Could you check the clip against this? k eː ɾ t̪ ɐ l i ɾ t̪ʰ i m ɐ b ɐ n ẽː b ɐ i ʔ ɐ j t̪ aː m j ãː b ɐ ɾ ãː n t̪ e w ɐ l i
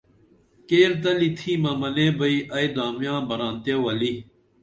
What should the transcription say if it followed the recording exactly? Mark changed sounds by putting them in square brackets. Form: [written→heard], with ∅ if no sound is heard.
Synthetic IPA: k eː ɾ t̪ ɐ l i [ɾ→∅] t̪ʰ i m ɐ [b→m] ɐ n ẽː b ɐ i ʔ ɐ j [t̪→d̪] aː m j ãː b ɐ ɾ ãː n t̪ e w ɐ l i